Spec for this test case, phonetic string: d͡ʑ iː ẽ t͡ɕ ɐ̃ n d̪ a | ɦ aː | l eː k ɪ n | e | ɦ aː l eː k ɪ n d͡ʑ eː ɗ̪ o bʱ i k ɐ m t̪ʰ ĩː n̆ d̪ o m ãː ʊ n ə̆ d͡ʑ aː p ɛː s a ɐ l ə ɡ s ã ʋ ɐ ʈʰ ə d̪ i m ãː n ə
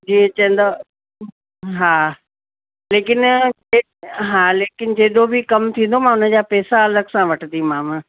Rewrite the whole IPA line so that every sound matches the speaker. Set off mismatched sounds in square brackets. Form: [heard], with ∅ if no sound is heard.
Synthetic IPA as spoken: d͡ʑ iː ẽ t͡ɕ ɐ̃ n d̪ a | ɦ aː | l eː k ɪ n | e | ɦ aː l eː k ɪ n d͡ʑ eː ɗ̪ o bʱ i k ɐ m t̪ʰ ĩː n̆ d̪ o m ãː ʊ n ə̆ d͡ʑ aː p ɛː s a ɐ l ə ɡ s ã ʋ ɐ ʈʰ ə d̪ i m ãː [m] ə